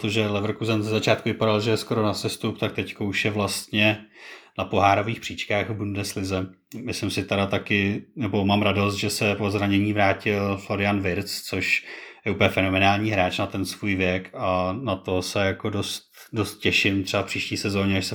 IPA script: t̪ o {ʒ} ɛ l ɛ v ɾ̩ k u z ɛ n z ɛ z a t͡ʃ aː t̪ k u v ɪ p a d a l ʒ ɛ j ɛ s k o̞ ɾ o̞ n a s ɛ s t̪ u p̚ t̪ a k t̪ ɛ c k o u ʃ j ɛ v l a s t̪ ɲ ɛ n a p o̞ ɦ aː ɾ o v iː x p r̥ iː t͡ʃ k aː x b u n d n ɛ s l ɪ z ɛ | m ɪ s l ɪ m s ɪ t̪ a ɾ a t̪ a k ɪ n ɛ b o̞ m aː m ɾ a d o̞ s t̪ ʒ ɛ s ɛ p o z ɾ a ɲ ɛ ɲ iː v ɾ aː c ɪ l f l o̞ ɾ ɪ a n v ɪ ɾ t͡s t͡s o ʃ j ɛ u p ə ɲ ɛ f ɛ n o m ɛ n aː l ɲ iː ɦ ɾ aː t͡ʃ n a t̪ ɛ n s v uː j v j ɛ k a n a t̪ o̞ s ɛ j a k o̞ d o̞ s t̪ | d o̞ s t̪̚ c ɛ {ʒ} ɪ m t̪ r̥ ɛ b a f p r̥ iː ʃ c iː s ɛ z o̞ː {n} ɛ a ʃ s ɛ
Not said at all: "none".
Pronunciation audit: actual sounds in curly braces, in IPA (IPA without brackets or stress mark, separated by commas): ʒ, ʃ, ɲ